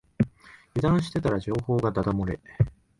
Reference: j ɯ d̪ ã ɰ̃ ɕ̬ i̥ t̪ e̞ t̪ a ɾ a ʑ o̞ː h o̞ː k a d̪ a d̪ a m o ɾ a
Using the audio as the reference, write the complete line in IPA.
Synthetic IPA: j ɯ d̪ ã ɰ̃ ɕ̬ i̥ t̪ e̞ t̪ a ɾ a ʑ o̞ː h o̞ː ɡ a d̪ a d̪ a m o ɾ e